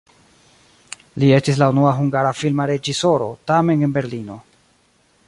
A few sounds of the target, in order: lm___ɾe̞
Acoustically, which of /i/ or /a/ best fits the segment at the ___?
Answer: a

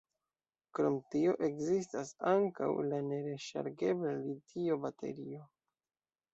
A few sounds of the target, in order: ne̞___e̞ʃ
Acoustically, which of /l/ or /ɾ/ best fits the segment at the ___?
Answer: ɾ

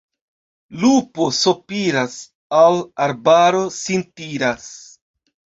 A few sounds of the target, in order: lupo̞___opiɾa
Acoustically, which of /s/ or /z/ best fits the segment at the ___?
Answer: s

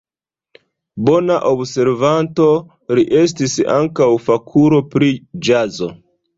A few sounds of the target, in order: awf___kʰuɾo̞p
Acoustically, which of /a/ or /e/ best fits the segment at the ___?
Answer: a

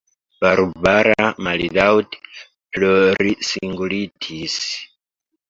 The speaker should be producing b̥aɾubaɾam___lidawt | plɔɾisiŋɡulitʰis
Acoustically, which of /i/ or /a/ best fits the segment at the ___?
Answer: a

